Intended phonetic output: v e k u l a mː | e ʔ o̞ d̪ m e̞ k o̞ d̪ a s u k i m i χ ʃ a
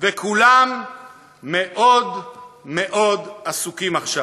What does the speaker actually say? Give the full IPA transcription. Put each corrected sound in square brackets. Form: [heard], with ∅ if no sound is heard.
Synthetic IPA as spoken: v e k u l a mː | e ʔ o̞ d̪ m e̞ [ʔ] o̞ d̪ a s u k i m [a] χ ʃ a